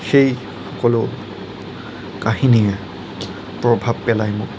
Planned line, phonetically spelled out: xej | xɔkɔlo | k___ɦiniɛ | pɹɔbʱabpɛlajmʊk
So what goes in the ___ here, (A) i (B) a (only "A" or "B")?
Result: B